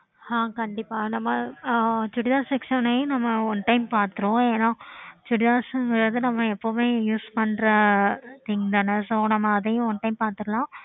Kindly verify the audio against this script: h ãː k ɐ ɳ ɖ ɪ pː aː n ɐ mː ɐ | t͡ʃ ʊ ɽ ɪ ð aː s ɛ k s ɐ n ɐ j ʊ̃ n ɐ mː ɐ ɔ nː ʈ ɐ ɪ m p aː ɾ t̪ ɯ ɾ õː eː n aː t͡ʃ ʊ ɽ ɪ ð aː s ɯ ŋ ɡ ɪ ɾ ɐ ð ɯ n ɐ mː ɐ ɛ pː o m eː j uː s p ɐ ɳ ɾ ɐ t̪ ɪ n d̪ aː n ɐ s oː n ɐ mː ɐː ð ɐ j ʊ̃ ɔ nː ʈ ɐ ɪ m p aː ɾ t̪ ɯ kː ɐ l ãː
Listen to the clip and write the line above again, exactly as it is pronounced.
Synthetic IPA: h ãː k ɐ ɳ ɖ ɪ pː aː n ɐ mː ɐ | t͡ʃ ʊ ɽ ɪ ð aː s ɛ k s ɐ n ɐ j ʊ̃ n ɐ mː ɐ ɔ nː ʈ ɐ ɪ m p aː ɾ t̪ ɯ ɾ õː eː n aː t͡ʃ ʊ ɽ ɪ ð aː s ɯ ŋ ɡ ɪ ɾ ɐ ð ɯ n ɐ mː ɐ ɛ pː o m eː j uː s p ɐ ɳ ɾ ɐ t̪ ɪ ŋ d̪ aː n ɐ s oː n ɐ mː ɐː ð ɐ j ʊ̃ ɔ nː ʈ ɐ ɪ m p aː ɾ t̪ ɯ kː ɐ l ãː

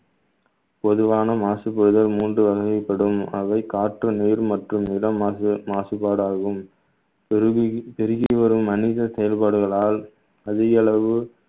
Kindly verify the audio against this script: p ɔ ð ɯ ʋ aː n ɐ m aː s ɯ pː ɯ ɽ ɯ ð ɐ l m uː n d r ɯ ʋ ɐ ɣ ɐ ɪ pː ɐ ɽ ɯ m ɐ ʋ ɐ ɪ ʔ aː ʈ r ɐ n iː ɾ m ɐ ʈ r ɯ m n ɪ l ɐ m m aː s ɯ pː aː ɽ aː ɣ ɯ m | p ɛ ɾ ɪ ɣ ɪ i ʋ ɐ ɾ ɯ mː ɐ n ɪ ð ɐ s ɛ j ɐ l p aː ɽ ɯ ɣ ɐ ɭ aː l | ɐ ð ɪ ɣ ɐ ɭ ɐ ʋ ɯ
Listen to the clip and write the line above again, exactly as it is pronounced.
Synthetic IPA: p ɔ ð ɯ ʋ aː n ɐ m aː s ɯ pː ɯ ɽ ɯ ð ɐ l m uː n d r ɯ ʋ ɐ ɣ ɐ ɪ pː ɐ ɽ ɯ m ɐ ʋ ɐ ɪ k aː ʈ r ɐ n iː ɾ m ɐ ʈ r ɯ m n ɪ l ɐ m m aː s ɯ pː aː ɽ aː ɣ ɯ m | p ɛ ɾ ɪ ɣ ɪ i ʋ ɐ ɾ ɯ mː ɐ n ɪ ð ɐ s ɛ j ɐ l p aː ɽ ɯ ɣ ɐ ɭ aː l | ɐ ð ɪ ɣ ɐ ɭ ɐ ʋ ɯ

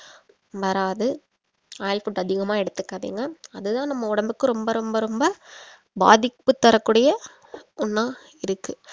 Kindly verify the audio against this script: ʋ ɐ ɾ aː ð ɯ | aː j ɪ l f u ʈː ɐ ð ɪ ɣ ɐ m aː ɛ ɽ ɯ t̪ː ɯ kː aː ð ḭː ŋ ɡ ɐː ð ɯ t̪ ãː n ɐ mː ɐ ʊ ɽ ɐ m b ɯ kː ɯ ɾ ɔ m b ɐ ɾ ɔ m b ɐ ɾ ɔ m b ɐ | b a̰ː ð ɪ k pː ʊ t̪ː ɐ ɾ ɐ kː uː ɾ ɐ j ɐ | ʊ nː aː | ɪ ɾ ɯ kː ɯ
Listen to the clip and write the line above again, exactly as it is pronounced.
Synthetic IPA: ʋ ɐ ɾ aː ð ɯ | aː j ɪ l f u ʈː ɐ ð ɪ ɣ ɐ m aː ɛ ɽ ɯ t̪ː ɯ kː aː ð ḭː ŋ ɡ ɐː ð ɯ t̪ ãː n ɐ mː ɐ ʊ ɽ ɐ m b ɯ kː ɯ ɾ ɔ m b ɐ ɾ ɔ m b ɐ ɾ ɔ m b ɐ | b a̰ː ð ɪ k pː ɯ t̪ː ɐ ɾ ɐ kː uː ɽ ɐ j ɐ | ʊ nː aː | ɪ ɾ ɯ kː ɯ

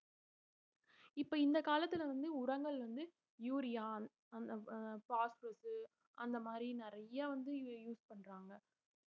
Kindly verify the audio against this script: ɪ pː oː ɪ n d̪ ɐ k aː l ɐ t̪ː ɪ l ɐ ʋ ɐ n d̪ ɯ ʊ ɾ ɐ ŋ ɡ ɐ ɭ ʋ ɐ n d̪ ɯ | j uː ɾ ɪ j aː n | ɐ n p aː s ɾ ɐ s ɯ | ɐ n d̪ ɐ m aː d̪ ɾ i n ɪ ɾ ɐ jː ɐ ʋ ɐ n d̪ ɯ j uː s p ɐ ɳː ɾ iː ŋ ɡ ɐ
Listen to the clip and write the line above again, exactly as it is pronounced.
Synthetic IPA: ɪ pː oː ɪ n d̪ ɐ k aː l ɐ t̪ː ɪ l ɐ ʋ ɐ n d̪ ɯ ʊ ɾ ɐ ŋ ɡ ɐ ɭ ʋ ɐ n d̪ ɯ | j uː ɾ ɪ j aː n | ɐ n p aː s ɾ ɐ s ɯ | ɐ n d̪ ɐ m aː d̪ ɾ i n ɪ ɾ ɐ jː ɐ ʋ ɐ n d̪ ɯ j uː s p ɐ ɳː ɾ aː ŋ ɡ ɐ

